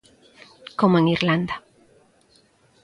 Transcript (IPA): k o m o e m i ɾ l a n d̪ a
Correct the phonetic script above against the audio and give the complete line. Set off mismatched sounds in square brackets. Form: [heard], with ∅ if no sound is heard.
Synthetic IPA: k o m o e [ŋ] i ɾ l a n d̪ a